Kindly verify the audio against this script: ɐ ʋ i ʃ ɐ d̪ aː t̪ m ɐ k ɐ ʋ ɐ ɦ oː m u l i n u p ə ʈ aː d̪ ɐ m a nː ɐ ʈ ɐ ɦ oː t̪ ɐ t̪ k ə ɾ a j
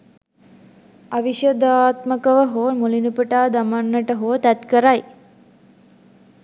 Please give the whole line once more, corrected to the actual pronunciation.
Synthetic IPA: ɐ ʋ i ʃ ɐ d̪ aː t̪ m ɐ k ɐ ʋ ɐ ɦ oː m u l i n u p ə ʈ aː d̪ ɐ m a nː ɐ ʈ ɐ ɦ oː t̪ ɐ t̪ k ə ɾ a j